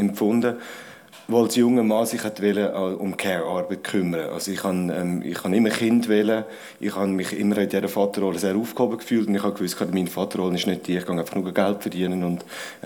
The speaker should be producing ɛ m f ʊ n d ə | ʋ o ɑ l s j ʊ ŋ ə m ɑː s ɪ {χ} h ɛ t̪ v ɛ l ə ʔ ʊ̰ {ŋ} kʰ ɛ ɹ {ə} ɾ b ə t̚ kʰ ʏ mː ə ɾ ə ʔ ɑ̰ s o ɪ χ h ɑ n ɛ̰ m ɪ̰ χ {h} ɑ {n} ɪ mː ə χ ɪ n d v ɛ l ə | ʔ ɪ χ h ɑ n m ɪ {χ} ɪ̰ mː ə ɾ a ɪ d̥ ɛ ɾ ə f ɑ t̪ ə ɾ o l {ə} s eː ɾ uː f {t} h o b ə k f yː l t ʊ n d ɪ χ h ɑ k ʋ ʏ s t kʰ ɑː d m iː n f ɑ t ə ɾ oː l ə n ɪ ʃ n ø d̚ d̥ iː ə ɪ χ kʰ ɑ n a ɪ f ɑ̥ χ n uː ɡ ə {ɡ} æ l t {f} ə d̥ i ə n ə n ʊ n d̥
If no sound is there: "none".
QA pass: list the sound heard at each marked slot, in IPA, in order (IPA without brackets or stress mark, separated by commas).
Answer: χ, m, ɑ, h, n, χ, ə, k, ɡ, f